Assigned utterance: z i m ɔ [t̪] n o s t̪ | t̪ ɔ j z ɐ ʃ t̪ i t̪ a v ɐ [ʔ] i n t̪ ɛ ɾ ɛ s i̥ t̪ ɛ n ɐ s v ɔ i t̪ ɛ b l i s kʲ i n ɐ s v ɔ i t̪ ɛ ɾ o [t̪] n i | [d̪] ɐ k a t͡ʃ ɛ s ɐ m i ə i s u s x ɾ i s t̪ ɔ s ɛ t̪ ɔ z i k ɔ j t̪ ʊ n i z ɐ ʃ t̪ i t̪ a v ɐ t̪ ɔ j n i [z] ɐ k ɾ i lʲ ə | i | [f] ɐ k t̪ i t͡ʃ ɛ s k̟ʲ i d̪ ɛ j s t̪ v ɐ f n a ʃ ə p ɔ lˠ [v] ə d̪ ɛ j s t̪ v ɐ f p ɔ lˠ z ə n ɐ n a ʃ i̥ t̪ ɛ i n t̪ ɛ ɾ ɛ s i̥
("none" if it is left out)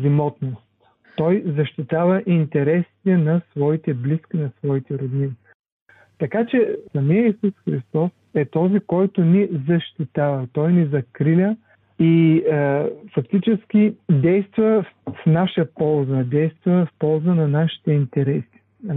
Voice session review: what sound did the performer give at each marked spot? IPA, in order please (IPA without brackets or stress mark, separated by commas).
t̪, ʔ, d̪, t̪, z, f, z